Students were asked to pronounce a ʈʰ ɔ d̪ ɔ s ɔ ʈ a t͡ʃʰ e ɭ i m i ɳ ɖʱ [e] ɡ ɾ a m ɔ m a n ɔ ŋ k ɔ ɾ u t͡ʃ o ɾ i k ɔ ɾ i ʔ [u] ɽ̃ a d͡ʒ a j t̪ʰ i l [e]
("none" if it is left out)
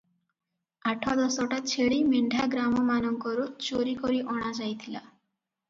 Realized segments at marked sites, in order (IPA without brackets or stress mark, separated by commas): a, ɔ, a